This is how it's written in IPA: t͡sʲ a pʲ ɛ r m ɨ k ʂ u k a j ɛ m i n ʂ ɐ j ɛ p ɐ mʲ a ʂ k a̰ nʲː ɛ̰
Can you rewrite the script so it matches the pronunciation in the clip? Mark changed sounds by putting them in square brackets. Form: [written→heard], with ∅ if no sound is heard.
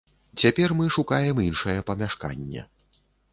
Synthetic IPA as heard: t͡sʲ a pʲ ɛ r m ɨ [k→∅] ʂ u k a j ɛ m i n ʂ ɐ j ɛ p ɐ mʲ a ʂ k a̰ nʲː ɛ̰